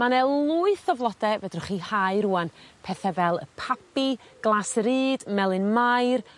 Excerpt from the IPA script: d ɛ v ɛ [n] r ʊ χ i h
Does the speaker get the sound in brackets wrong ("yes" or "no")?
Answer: yes